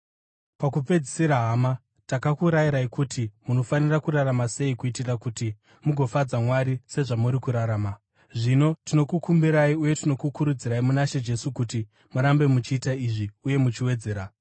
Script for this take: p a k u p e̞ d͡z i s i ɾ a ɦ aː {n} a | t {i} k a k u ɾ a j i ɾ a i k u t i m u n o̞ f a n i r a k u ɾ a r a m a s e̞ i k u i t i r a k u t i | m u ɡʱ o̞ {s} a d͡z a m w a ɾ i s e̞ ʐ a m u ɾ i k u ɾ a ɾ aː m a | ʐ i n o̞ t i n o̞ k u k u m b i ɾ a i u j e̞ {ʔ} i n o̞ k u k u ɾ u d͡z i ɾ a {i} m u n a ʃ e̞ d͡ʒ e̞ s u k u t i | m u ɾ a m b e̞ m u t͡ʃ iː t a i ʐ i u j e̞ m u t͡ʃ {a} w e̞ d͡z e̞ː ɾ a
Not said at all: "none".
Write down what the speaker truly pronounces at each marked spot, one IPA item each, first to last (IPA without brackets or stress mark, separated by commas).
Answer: m, a, f, t, i, i